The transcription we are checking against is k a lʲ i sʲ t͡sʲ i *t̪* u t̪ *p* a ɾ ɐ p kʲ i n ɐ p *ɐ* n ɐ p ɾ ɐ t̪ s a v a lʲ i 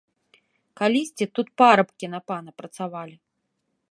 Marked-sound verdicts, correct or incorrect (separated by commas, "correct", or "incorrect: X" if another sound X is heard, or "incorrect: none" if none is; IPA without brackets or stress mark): correct, correct, incorrect: a